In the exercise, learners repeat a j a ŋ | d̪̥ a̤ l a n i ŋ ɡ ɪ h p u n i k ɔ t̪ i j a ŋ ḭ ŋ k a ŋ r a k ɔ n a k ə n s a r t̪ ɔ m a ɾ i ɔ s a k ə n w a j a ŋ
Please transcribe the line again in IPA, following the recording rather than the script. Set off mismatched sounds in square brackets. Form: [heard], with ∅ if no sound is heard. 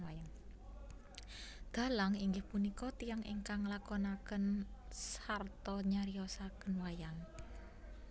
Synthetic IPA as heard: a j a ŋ | d̪̥ a̤ l a [ŋ] i ŋ ɡ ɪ h p u n i k ɔ t̪ i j a ŋ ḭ ŋ k a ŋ [l] a k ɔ n a k ə n s a r t̪ ɔ [ɲ] a ɾ i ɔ s a k ə n w a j a ŋ